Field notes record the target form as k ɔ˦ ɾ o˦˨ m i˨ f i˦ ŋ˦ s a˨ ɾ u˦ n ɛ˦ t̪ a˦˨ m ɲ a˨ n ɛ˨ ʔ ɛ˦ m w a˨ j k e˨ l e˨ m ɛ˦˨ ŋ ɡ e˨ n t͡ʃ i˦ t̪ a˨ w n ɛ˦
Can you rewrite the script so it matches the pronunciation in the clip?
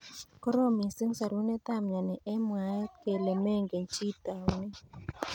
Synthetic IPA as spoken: k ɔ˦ ɾ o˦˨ m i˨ s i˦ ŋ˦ s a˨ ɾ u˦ n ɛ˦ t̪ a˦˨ m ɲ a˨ n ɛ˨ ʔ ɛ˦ m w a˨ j k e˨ l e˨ m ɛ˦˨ ŋ ɡ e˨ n t͡ʃ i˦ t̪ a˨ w n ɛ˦